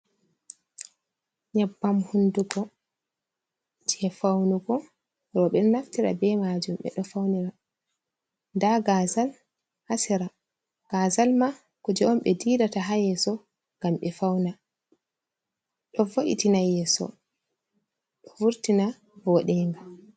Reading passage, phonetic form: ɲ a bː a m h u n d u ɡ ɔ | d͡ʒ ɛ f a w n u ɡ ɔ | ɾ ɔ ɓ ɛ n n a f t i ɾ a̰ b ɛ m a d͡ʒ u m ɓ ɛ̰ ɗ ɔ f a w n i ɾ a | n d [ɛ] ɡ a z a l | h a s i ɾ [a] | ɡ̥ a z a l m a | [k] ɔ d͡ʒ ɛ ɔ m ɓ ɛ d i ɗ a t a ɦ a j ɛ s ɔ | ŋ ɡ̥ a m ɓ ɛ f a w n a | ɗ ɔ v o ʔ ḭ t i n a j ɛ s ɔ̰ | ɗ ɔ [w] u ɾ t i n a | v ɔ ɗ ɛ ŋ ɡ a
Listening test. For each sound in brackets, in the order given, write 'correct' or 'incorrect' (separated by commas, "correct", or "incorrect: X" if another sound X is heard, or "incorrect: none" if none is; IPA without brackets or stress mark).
incorrect: a, correct, correct, incorrect: v